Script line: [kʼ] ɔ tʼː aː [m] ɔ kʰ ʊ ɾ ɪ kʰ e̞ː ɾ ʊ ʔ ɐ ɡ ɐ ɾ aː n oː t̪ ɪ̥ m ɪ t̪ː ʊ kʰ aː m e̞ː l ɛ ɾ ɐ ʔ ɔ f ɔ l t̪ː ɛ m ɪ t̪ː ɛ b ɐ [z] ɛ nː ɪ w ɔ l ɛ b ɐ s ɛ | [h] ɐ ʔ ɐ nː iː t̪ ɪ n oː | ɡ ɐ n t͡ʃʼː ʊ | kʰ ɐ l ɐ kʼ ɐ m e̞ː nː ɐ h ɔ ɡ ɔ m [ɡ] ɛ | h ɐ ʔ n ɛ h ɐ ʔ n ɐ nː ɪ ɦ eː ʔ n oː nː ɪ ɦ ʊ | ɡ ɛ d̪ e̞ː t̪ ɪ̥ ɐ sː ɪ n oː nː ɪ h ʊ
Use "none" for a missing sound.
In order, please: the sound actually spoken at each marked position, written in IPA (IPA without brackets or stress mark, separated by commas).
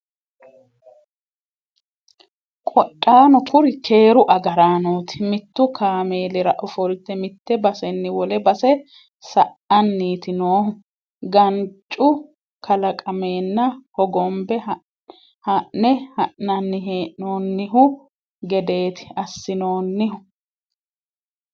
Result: kʼ, n, s, s, b